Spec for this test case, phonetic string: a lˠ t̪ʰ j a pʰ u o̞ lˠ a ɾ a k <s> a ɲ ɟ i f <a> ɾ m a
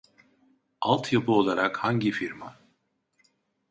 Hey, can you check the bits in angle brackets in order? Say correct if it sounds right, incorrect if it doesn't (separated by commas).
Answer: incorrect, incorrect